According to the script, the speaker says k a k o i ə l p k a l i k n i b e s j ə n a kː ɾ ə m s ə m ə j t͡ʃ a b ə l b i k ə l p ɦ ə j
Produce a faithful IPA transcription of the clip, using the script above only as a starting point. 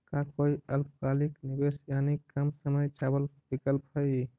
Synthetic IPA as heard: k a k o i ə l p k a l i k n i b e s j a n i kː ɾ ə m s ə m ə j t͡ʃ a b ə l b i k ə l p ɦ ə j